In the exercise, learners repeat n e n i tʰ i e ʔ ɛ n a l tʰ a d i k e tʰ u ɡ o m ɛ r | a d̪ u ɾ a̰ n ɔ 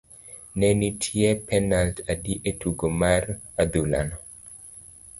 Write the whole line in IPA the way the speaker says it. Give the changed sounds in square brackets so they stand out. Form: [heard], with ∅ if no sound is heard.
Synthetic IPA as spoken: n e n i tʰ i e [p] ɛ n a l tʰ a d i [ʔ] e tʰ u ɡ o m [a] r | a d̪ u [l] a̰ n ɔ